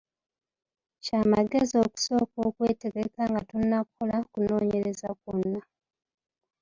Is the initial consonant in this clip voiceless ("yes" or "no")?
yes